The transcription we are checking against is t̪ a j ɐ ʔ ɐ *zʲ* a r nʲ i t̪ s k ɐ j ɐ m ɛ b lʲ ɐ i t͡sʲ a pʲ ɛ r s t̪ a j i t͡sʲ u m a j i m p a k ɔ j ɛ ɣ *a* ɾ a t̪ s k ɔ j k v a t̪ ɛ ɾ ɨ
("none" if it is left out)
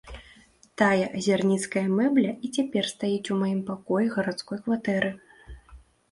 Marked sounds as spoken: zʲ, ɐ

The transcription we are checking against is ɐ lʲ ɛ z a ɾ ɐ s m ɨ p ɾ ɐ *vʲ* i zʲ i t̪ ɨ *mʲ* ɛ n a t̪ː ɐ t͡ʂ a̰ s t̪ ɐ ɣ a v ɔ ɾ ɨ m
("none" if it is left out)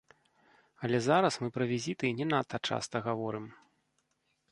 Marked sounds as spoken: vʲ, nʲ

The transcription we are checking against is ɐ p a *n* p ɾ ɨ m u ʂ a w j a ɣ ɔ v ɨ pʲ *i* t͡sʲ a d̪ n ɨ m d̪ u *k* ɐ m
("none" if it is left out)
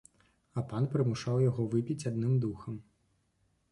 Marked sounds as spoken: n, i, x

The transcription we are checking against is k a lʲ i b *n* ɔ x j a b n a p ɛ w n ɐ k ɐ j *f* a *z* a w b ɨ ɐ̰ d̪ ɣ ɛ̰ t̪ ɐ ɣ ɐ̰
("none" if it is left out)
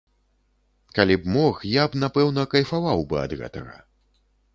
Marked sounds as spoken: m, f, v

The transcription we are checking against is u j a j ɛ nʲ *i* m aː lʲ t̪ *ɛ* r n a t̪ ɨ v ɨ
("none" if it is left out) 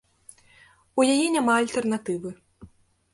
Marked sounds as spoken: a, ɛ

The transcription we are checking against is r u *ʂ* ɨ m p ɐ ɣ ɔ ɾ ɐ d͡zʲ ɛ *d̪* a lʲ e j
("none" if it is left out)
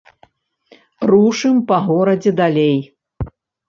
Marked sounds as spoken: ʂ, d̪

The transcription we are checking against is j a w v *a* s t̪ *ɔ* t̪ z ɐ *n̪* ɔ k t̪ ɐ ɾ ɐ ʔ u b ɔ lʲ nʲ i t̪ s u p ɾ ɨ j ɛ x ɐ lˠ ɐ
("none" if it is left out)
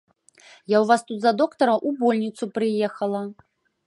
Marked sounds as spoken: a, u, d̪

